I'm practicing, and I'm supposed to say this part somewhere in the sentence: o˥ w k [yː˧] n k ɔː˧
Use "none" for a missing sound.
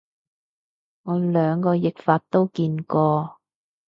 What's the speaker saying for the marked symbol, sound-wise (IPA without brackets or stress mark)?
iː˧